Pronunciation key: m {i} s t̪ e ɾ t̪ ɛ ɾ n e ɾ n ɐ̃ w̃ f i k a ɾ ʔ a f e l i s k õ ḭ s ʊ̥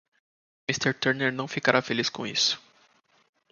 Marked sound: correct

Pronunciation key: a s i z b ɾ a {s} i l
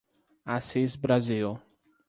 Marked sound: incorrect: z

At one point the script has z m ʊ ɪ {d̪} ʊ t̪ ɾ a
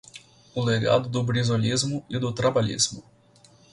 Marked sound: correct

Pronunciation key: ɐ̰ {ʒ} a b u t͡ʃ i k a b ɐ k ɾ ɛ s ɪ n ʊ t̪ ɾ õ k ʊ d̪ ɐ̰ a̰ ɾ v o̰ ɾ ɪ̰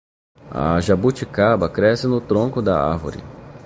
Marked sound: correct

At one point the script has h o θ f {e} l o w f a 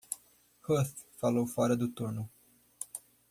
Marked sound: incorrect: a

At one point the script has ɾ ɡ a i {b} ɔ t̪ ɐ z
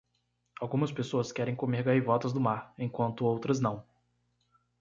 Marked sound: incorrect: v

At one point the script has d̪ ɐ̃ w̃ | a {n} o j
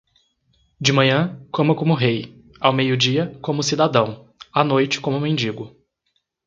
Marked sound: correct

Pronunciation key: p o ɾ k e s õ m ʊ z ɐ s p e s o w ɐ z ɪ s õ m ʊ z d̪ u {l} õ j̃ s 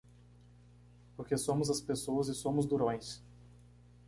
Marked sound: incorrect: ɾ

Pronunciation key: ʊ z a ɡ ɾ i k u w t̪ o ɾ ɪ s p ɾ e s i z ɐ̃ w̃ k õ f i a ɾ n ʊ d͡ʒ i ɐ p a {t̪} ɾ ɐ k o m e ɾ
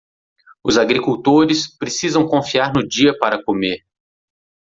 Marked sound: incorrect: none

